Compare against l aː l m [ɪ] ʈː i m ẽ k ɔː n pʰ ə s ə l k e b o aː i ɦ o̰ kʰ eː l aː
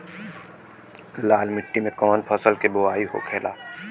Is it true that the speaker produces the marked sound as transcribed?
yes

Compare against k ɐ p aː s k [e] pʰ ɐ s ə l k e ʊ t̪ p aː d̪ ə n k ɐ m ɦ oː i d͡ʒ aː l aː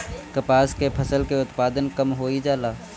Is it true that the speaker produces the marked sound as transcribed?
yes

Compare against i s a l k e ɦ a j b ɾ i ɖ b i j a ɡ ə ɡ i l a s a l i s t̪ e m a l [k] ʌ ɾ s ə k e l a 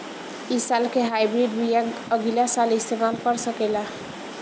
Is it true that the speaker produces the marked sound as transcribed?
yes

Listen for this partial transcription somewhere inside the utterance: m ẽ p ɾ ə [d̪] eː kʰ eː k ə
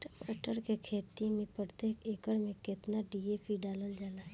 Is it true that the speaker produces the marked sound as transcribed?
no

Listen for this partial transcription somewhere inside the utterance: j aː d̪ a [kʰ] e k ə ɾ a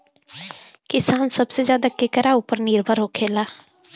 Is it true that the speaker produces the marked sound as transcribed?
no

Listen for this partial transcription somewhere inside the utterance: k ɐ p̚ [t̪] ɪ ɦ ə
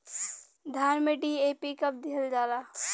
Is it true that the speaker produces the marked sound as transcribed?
no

